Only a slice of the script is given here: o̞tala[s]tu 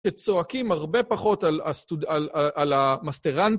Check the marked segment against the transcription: correct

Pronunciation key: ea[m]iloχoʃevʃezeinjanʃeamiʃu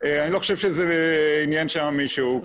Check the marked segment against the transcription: incorrect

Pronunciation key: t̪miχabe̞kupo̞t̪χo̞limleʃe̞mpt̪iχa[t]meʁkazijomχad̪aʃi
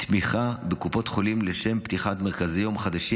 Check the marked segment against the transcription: correct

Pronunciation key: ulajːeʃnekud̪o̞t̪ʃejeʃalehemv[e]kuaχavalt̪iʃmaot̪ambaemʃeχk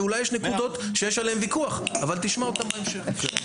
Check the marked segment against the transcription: incorrect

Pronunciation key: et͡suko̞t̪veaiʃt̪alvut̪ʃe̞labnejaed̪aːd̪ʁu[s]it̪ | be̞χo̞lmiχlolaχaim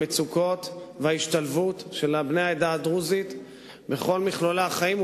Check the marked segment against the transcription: incorrect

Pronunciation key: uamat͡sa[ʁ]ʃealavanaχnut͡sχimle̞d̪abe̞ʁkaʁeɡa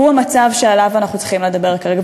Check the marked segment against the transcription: incorrect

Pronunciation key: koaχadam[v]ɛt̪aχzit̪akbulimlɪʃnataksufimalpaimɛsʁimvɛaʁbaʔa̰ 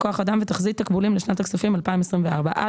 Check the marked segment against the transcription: correct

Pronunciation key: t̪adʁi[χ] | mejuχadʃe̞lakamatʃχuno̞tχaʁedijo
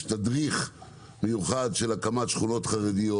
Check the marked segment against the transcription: correct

